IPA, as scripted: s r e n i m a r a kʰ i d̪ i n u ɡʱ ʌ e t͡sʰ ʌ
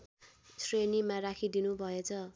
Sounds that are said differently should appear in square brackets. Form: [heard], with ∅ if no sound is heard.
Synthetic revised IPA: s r e n i m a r a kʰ i d̪ i n u [bʱ] ʌ e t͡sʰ ʌ